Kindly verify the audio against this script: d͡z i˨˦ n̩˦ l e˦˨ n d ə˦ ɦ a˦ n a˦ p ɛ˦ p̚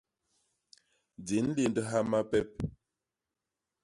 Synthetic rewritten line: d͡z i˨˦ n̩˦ l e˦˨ n d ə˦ ɦ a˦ m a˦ p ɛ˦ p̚